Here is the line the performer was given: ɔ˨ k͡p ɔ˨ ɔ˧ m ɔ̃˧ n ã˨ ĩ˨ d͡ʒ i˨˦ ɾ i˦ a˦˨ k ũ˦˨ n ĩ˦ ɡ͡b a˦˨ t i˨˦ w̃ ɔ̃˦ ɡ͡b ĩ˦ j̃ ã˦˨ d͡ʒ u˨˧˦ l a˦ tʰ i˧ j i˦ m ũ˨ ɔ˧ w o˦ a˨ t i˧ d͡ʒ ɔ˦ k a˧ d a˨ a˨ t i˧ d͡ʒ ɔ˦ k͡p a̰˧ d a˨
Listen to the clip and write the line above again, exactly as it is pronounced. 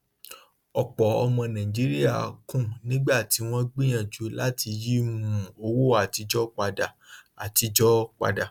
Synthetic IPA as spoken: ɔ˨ k͡p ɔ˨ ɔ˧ m ɔ̃˧ n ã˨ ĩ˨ d͡ʒ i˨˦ ɾ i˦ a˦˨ k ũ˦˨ n ĩ˦ ɡ͡b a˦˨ t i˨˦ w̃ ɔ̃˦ ɡ͡b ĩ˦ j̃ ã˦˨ d͡ʒ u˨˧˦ l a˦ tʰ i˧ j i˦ m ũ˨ o˧ w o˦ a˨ t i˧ d͡ʒ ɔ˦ k͡p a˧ d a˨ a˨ t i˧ d͡ʒ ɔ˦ k͡p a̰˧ d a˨